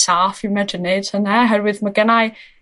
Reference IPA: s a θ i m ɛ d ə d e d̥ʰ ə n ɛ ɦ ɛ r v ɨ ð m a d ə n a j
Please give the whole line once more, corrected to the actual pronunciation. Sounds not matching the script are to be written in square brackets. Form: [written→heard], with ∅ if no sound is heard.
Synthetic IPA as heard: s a [θ→f] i m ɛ d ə [d→n] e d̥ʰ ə n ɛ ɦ ɛ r [v→w] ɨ ð m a [d→ɡ] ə n a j